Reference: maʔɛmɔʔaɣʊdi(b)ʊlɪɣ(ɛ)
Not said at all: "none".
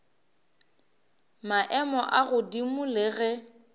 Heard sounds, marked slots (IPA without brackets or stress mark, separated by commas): m, ɛ